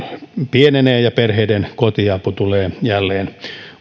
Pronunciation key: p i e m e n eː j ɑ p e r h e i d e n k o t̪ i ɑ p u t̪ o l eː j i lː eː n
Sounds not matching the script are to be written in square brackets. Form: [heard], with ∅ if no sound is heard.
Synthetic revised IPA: p i e [n] e n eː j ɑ p e r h e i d e n k o t̪ i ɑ p u t̪ [u] l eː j [æ] lː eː n